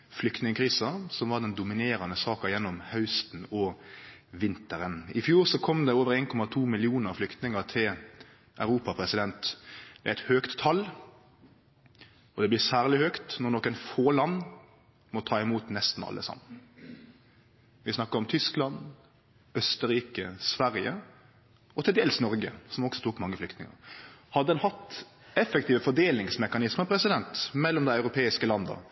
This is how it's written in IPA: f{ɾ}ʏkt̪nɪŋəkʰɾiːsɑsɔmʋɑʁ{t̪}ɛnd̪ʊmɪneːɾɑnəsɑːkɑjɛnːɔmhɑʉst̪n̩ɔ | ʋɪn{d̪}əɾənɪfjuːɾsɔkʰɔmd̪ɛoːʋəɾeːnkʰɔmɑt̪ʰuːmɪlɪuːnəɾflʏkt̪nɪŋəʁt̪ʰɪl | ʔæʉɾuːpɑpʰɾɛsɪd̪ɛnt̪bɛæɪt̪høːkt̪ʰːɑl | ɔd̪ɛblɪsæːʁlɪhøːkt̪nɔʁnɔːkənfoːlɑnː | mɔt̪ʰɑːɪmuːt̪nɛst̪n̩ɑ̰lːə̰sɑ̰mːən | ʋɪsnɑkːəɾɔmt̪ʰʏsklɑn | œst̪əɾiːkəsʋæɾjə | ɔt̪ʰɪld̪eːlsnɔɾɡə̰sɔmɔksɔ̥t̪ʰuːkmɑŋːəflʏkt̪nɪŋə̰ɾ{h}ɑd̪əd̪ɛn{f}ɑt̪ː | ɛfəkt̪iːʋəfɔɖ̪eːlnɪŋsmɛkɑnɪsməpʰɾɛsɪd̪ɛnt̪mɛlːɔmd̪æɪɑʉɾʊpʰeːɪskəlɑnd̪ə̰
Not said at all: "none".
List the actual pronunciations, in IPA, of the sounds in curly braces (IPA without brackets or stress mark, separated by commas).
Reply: l, d̪, t̪, h, h